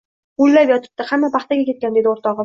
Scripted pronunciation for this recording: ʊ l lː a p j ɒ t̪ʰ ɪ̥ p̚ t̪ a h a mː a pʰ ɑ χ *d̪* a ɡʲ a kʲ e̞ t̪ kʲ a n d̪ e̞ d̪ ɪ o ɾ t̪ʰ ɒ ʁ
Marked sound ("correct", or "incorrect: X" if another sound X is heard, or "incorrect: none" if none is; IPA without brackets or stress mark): incorrect: t̪